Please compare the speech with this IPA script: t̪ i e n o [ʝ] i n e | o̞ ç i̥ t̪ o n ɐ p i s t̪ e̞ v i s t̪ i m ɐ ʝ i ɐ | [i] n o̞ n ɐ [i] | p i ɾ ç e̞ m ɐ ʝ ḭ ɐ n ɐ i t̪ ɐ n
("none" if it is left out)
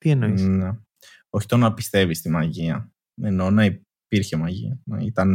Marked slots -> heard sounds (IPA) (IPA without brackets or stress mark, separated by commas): none, e, i